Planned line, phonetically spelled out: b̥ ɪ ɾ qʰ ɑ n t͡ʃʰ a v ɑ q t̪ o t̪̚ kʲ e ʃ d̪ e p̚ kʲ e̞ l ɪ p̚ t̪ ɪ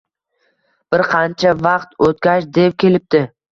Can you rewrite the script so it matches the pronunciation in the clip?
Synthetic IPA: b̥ ɪ ɾ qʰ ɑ n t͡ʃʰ a v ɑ q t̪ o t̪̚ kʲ a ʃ d̪ e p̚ kʲ e̞ l ɪ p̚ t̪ ɪ